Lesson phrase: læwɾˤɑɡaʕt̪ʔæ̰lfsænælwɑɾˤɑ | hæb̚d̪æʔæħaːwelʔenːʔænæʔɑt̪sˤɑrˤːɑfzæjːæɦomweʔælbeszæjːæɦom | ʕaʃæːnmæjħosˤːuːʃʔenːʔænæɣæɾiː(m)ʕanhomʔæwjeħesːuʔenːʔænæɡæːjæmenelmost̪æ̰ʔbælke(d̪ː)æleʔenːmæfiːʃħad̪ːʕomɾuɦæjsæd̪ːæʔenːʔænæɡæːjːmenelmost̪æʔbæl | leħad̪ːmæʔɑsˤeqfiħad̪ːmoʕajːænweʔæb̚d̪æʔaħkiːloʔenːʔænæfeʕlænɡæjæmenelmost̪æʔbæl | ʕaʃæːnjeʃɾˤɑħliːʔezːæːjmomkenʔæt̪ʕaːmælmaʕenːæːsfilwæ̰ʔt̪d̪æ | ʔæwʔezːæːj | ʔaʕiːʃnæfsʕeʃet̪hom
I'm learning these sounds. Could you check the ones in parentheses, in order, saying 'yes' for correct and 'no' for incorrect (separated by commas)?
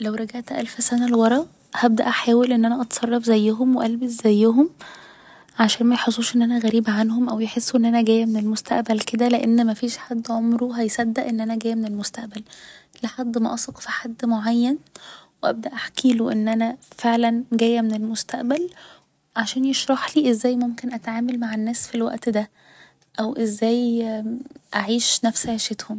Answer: no, no